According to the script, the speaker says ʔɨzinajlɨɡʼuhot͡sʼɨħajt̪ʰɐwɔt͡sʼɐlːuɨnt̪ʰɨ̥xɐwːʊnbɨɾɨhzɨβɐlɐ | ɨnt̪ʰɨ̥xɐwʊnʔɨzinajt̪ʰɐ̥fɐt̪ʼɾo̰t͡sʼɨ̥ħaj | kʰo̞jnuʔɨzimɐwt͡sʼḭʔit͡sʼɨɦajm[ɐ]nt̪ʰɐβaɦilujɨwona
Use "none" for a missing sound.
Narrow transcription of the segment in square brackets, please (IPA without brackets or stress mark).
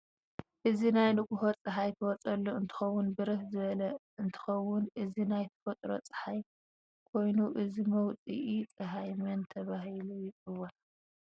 ɐ